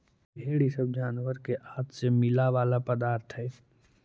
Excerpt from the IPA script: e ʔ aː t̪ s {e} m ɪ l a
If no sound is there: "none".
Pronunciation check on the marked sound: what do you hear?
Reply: e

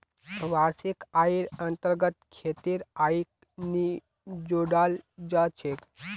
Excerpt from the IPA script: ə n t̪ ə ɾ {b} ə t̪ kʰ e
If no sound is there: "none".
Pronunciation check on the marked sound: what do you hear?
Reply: ɡ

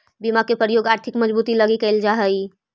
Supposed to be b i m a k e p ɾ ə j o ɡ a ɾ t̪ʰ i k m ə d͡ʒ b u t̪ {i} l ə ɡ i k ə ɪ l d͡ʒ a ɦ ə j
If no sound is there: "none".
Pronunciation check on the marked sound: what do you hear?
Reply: i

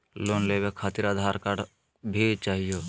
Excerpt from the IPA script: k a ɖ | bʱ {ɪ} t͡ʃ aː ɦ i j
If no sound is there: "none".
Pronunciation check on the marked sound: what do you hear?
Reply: i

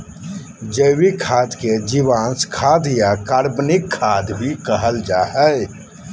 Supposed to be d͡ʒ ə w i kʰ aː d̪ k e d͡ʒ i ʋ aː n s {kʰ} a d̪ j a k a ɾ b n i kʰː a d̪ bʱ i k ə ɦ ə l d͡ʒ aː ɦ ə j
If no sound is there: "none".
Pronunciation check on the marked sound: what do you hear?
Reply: kʰ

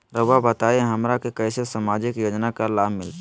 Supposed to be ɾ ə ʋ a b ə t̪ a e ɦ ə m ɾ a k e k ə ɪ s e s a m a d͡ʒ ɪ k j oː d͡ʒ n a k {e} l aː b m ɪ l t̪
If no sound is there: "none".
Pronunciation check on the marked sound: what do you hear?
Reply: a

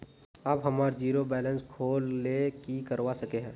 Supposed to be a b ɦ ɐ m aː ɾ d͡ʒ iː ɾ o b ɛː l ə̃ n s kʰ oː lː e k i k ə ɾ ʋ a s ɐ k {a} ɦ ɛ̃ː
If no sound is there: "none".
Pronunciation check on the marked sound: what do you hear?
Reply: e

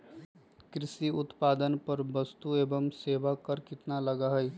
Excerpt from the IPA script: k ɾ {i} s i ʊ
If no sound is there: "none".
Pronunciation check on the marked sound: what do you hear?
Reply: ɪ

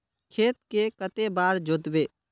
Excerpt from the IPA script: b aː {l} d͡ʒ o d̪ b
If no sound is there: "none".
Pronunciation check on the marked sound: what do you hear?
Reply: ɾ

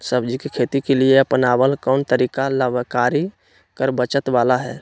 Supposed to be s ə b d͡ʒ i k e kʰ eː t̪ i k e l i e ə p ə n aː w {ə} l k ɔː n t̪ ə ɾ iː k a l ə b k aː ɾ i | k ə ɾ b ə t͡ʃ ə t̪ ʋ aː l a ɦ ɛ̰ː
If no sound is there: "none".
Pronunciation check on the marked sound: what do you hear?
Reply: ə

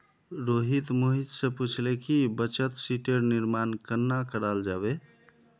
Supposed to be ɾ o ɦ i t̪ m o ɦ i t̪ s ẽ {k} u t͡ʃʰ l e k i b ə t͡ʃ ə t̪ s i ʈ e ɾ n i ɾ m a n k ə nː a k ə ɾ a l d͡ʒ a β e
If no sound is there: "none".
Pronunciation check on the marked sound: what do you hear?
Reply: p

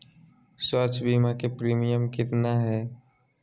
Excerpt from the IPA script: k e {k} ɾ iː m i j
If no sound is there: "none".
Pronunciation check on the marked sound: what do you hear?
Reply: p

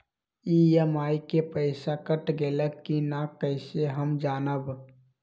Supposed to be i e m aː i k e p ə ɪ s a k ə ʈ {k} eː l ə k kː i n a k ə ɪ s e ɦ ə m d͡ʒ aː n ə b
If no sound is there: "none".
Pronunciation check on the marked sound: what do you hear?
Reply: ɡ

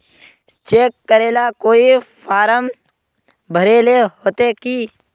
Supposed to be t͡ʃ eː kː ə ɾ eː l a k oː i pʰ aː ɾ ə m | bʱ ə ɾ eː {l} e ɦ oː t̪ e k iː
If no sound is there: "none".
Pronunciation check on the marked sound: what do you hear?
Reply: l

